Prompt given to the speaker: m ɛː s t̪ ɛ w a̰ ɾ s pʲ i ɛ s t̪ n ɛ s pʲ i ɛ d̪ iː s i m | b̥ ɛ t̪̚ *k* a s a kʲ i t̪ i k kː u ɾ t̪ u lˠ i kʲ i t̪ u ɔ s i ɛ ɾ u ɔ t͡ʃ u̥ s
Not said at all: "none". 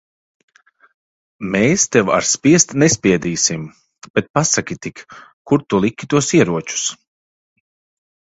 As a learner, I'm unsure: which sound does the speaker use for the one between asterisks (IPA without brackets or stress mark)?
p